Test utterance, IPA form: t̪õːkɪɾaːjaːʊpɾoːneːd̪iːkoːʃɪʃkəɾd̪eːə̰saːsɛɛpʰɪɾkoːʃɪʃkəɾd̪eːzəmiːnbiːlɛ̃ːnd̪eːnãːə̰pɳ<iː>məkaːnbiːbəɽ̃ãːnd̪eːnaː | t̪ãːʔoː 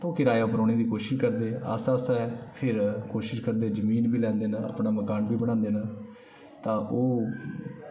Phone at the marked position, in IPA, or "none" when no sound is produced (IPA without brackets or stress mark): aː